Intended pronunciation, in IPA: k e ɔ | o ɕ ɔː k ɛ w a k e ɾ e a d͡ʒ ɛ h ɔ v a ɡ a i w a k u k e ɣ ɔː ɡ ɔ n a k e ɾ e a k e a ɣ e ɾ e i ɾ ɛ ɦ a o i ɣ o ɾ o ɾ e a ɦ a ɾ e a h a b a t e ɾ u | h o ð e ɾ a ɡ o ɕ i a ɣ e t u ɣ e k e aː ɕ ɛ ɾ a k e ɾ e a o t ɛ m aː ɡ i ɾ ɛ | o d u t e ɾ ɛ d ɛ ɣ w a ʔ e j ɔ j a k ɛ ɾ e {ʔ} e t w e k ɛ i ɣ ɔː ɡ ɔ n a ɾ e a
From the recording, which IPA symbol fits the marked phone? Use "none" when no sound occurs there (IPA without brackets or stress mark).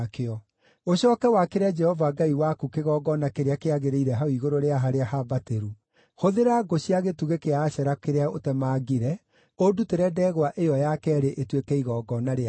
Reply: ʔ